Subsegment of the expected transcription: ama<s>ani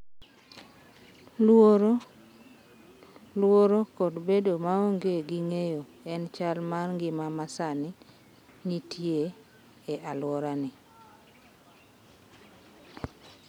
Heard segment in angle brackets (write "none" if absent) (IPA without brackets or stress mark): s